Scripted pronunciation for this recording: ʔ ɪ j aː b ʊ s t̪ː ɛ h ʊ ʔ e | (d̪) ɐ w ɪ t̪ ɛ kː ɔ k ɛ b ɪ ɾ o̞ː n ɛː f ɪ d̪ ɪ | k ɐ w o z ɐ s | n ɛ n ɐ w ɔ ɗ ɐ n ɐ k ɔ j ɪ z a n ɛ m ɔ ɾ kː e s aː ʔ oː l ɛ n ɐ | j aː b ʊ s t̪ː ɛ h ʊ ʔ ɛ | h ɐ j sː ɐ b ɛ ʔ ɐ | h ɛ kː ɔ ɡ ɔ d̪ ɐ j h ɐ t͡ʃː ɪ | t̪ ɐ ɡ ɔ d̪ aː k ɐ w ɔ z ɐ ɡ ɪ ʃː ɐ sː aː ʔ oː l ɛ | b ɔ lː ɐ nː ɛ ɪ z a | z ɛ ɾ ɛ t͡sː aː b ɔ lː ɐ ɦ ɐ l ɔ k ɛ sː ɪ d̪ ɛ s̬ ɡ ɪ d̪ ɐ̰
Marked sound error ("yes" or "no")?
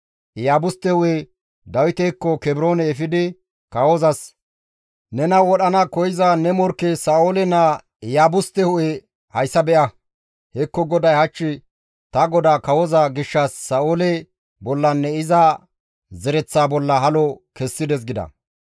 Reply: no